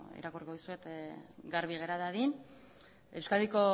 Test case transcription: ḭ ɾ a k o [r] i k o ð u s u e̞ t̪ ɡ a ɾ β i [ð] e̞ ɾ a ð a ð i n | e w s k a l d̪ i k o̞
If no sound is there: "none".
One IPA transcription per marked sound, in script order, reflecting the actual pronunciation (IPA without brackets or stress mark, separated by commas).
r, ɣ